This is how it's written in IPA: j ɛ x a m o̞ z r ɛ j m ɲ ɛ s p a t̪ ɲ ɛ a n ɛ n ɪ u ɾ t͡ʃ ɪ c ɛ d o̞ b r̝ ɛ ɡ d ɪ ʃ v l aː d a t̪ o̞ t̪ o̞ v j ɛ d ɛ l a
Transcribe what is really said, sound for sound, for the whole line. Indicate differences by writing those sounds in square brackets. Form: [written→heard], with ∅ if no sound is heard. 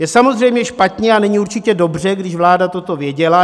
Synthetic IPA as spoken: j ɛ [x→s] a m o̞ z r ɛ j m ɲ ɛ [s→ʃ] p a t̪ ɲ ɛ a n ɛ [n→ɲ] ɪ u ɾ t͡ʃ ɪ c ɛ d o̞ b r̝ ɛ ɡ d ɪ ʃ v l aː d a t̪ o̞ t̪ o̞ v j ɛ [d→ɟ] ɛ l a